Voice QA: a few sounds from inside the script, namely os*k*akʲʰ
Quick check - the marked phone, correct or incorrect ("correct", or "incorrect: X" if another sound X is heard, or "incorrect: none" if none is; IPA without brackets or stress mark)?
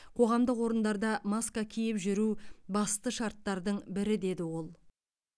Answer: correct